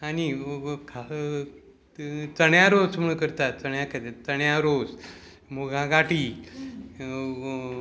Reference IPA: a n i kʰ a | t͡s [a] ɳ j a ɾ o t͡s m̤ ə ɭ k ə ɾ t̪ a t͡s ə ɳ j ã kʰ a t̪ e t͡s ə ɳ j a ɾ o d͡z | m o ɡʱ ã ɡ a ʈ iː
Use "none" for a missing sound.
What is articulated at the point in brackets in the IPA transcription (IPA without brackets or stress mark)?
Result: ə